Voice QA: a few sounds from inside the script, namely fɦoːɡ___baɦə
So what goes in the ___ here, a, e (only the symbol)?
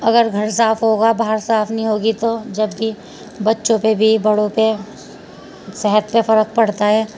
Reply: a